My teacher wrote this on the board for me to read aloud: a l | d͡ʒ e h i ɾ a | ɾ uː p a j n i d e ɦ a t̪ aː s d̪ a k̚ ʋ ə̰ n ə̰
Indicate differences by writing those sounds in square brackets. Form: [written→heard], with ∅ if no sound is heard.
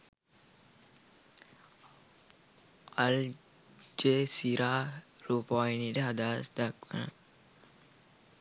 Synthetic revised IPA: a l | d͡ʒ e [h→s] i ɾ a | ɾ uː p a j n i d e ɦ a [t̪→d̪] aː s d̪ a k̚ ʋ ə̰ n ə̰

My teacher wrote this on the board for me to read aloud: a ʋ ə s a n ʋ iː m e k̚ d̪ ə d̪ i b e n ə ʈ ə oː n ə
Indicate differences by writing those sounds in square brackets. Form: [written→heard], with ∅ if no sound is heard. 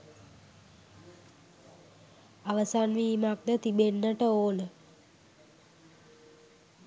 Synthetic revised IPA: a ʋ ə s a n ʋ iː m [e→a] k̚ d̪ ə [d̪→t̪] i b e [n→nː] ə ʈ ə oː n ə

